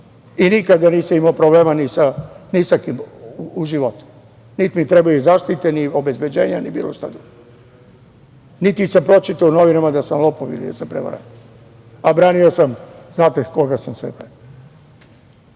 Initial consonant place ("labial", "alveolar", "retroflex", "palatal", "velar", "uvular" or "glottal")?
alveolar